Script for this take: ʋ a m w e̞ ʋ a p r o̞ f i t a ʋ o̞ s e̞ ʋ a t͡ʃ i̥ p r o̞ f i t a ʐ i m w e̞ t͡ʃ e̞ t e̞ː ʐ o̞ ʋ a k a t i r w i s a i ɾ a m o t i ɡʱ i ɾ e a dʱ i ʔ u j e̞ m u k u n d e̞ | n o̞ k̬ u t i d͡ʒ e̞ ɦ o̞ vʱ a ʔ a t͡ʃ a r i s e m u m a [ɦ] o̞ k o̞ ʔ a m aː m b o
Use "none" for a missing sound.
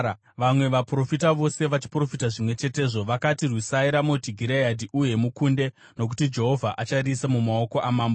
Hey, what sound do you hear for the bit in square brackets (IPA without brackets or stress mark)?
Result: none